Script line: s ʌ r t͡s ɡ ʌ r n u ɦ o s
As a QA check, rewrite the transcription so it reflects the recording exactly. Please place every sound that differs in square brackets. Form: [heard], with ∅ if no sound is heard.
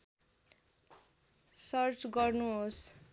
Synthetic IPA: s ʌ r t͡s ɡ ʌ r n u ɦ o s